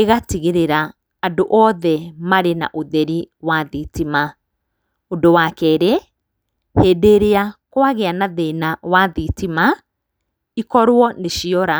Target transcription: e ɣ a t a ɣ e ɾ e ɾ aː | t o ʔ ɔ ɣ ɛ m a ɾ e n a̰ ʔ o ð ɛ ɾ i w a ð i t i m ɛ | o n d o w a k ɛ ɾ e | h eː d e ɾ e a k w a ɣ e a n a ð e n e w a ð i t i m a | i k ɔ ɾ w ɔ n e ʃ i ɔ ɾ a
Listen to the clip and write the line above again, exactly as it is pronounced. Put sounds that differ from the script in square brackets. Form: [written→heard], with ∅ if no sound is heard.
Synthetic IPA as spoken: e ɣ a t [a→i] ɣ e ɾ e ɾ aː | [t→d] o ʔ ɔ [ɣ→ð] ɛ m a ɾ e n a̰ ʔ o ð ɛ ɾ i w a ð i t i m [ɛ→a] | o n d o w a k ɛ ɾ e | h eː d e ɾ e a k w a ɣ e a n a ð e n [e→a] w a ð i t i m a | i k ɔ ɾ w ɔ n e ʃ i ɔ ɾ a